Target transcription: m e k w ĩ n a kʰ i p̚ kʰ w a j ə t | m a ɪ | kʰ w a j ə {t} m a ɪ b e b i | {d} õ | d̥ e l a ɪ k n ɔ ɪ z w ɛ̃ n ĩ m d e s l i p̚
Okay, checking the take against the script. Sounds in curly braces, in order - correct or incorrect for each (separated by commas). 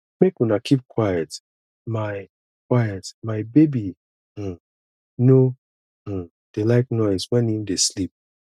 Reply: correct, incorrect